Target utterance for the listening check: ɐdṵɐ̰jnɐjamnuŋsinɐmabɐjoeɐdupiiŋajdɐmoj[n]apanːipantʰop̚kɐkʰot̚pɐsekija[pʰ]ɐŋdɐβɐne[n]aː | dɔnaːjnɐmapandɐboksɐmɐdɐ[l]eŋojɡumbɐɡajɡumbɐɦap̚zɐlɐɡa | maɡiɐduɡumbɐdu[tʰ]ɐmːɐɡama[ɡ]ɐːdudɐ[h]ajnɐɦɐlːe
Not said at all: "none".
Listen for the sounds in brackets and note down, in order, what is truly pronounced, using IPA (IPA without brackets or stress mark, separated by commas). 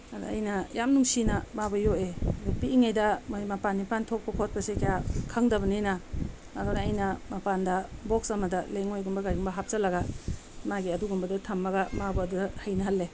m, kʰ, n, l, tʰ, b, h